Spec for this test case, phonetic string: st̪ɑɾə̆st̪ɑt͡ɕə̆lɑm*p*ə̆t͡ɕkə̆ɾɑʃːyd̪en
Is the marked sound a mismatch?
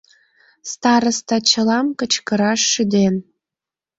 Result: yes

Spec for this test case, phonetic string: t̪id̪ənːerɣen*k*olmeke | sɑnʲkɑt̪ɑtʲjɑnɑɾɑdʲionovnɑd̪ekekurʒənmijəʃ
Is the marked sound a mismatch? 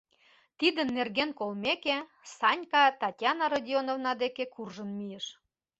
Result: no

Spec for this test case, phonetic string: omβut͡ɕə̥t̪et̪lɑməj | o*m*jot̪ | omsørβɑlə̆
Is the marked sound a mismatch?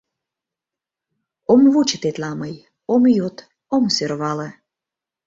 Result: no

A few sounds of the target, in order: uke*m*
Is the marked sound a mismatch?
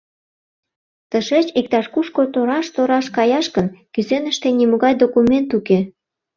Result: yes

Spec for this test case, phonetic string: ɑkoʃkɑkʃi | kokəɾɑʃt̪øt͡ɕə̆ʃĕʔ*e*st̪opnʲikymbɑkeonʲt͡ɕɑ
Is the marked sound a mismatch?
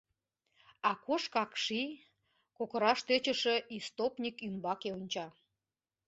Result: yes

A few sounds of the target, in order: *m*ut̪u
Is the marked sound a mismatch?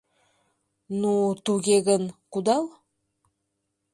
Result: yes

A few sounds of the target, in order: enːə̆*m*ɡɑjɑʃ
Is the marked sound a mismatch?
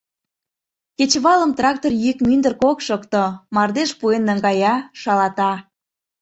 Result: yes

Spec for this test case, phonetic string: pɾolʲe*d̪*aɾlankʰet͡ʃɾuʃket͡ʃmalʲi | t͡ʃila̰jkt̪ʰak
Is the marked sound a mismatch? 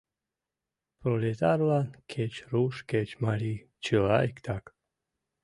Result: yes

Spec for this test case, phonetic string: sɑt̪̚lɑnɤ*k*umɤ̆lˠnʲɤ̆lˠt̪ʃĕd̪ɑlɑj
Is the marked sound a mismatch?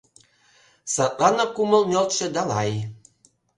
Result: no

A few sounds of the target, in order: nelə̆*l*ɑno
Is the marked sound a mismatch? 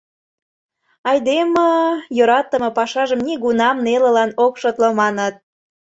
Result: no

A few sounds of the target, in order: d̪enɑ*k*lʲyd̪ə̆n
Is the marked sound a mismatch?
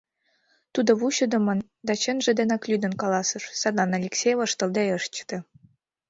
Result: no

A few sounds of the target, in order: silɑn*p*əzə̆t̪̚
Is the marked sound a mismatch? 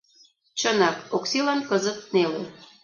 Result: yes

